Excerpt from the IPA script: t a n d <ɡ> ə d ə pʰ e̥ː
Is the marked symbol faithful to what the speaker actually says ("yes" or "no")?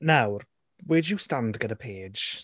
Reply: yes